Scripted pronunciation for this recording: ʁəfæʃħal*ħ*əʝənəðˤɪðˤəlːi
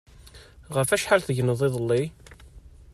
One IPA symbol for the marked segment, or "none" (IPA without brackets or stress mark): θ